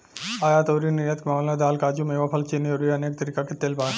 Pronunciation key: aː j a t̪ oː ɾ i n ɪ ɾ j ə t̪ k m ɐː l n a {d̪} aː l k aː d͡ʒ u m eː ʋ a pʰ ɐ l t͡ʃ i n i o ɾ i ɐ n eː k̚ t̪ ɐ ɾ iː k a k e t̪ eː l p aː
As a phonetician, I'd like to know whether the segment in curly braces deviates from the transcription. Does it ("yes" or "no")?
no